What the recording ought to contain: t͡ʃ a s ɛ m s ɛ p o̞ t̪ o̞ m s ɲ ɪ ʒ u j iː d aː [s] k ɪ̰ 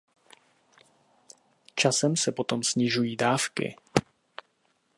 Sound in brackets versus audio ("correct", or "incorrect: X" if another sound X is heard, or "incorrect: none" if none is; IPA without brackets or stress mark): incorrect: f